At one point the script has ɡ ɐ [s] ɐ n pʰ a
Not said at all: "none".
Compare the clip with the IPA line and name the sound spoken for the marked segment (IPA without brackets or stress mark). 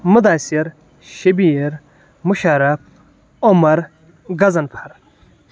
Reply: z